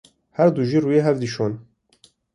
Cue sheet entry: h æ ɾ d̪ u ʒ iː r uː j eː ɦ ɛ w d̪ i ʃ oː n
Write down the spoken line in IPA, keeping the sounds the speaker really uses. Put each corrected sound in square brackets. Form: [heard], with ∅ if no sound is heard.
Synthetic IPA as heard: h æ ɾ d̪ u ʒ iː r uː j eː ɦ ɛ [v] d̪ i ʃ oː n